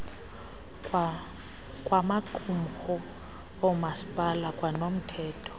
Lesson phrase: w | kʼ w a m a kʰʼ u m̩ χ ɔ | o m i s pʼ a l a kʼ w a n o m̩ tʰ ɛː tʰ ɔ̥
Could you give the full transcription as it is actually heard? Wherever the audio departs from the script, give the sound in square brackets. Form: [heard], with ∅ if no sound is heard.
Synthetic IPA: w | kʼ w a m a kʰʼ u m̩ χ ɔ | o m [a] s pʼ a l a kʼ w a n o m̩ tʰ ɛː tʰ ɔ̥